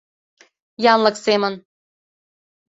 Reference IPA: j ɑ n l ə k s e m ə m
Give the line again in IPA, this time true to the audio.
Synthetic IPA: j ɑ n l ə k s e m ə n